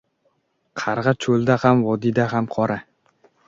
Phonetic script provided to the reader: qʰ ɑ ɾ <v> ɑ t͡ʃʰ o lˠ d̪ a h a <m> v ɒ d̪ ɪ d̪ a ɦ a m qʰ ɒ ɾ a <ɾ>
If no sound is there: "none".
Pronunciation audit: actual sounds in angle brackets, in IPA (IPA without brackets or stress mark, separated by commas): ʁ, m, none